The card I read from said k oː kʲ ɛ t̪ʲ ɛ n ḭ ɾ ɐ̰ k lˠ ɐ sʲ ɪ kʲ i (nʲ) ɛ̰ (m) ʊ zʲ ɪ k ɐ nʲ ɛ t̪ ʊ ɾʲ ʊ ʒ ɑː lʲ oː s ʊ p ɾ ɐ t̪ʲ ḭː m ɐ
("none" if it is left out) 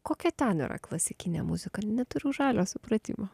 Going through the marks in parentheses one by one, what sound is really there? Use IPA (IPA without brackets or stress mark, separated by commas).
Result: nʲ, m